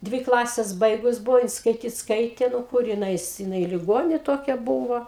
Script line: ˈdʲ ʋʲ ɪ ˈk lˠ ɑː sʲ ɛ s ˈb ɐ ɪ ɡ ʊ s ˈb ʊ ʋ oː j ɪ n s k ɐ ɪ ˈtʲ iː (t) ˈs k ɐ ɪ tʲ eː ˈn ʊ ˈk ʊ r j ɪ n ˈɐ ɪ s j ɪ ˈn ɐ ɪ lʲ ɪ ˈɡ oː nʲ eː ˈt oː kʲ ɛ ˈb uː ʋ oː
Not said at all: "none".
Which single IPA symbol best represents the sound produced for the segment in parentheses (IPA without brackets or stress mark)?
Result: t